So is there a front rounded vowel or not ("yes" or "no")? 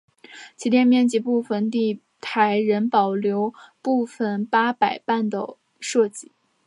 no